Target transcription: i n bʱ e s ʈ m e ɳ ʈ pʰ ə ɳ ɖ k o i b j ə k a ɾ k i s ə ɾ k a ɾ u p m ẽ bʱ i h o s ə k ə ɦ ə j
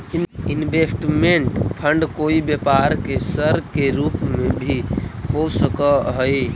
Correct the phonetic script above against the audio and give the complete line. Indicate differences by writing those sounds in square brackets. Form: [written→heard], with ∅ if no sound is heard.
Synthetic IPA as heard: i n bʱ e s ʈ m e ɳ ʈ pʰ ə ɳ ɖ k o i b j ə [k→p] a ɾ k [i→e] s ə ɾ k [a→e] ɾ u p m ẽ bʱ i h o s ə k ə ɦ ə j